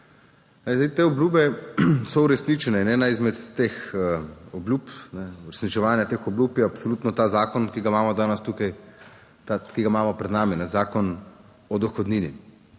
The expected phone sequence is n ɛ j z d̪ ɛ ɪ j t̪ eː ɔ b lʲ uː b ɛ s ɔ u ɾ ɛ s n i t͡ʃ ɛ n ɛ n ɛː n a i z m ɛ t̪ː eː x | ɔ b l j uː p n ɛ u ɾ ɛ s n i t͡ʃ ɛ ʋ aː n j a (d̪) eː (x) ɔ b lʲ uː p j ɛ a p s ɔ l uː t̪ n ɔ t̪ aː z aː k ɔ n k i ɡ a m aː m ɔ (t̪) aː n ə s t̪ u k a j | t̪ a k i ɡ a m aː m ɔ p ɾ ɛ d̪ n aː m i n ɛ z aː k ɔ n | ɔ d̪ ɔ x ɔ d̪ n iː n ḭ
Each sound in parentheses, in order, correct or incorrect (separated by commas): incorrect, correct, incorrect